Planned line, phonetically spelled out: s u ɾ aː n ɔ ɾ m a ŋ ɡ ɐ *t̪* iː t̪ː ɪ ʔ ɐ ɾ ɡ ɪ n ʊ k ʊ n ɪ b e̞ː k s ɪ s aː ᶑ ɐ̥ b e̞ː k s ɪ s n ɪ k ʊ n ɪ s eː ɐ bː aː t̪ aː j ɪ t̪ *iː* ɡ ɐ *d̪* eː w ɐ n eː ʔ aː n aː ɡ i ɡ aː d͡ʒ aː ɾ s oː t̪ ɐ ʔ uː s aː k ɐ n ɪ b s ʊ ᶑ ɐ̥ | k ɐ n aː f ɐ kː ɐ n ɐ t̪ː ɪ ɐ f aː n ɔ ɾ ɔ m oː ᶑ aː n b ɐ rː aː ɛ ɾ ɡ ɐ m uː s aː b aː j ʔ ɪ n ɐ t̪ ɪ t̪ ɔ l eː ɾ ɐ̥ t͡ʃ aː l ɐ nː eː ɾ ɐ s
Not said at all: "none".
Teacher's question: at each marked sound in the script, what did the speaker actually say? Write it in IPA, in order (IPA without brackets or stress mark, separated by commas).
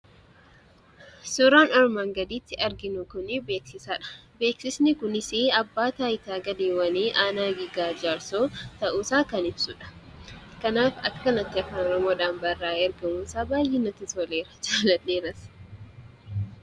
d̪, aː, d̪